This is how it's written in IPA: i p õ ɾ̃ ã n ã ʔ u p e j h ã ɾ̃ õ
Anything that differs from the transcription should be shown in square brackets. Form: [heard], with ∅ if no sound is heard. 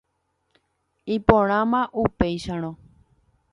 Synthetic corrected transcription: i p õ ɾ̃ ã [m] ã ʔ u p e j [ʃ] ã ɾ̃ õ